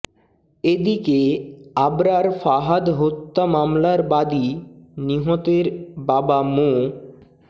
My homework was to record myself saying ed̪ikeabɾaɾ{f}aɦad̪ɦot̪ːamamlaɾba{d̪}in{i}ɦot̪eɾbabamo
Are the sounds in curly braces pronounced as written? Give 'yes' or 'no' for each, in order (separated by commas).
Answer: yes, yes, yes